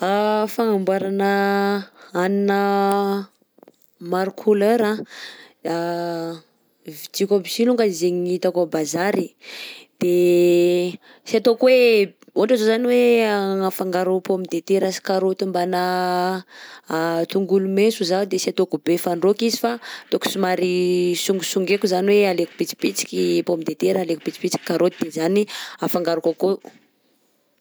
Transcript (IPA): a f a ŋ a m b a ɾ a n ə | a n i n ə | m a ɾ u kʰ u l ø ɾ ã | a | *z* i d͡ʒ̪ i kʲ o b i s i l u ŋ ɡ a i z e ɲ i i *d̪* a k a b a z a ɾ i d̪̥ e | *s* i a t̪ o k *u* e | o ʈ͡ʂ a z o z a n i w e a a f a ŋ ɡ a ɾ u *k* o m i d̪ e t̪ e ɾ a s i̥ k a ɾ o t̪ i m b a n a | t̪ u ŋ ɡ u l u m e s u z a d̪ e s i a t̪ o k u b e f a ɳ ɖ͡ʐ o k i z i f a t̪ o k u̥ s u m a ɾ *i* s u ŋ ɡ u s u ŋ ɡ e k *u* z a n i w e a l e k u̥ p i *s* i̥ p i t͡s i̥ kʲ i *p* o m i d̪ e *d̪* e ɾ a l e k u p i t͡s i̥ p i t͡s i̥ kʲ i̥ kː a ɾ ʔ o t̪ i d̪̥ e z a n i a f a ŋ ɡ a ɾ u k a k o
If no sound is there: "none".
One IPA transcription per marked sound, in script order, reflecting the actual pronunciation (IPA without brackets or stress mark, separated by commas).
v, t̪, s, w, p, i, u, t͡s, p, t̪